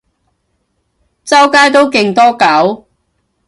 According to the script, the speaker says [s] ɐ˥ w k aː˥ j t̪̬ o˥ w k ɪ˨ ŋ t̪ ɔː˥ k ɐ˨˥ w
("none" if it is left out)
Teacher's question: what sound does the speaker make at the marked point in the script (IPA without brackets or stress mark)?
t͡s